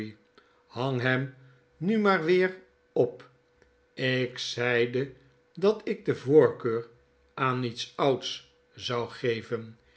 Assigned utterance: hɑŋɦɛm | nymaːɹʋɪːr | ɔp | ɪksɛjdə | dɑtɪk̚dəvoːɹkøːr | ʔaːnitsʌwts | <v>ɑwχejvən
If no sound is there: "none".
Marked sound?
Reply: z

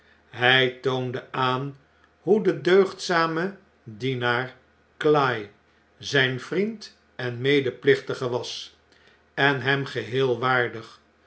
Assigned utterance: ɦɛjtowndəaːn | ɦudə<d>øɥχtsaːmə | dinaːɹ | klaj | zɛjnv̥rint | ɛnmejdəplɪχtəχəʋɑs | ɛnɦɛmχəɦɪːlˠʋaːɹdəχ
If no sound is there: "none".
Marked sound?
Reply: d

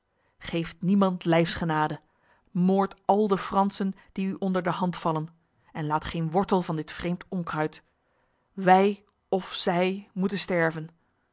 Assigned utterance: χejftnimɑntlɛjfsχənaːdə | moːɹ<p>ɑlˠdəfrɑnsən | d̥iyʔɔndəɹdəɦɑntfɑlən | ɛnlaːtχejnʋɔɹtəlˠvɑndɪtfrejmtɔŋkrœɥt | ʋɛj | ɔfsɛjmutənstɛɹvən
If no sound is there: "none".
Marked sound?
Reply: t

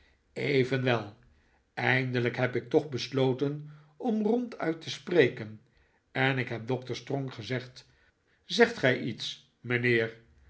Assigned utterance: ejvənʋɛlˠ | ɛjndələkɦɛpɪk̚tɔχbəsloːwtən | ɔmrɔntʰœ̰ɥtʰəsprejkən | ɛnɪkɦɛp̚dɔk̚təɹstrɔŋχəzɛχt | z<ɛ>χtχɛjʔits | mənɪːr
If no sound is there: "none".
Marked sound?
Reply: ɛ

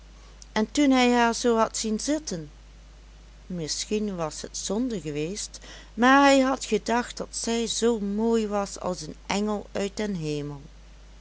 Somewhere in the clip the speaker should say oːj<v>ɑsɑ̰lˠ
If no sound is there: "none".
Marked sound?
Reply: ʋ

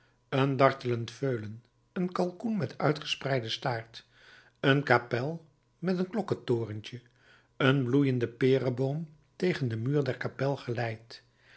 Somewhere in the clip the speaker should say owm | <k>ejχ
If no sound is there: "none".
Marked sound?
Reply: t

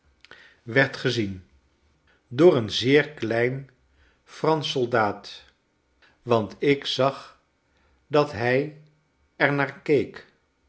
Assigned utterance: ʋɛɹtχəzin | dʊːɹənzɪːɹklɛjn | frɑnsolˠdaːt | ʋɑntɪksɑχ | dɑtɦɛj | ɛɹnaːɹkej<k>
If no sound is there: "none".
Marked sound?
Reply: k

